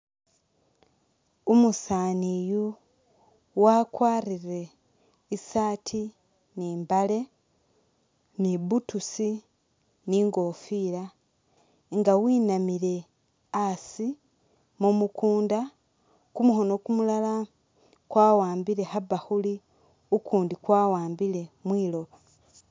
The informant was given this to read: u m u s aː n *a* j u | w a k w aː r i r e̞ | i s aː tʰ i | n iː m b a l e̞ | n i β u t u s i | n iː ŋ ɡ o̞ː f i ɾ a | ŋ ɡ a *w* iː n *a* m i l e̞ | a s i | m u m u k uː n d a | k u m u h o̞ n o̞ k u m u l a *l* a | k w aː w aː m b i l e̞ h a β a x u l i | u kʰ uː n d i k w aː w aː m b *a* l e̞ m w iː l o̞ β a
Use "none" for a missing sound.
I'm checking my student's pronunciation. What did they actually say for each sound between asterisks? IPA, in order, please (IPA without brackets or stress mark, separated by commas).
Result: i, w, a, l, i